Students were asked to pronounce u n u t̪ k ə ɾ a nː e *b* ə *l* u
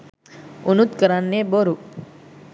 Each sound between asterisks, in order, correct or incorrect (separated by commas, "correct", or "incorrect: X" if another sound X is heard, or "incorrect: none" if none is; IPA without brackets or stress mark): correct, incorrect: ɾ